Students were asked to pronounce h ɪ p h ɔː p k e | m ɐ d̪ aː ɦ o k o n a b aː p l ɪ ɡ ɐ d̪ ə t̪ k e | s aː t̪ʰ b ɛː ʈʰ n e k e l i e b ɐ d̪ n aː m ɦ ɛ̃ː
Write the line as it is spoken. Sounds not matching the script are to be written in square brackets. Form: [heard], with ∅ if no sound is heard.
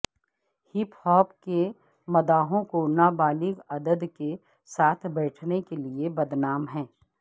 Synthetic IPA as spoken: h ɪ p h ɔː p k e | m ɐ d̪ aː ɦ [õ] k o n a b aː [∅] l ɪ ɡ ɐ d̪ ə [d̪] k e | s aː t̪ʰ b ɛː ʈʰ n e k e l i e b ɐ d̪ n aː m ɦ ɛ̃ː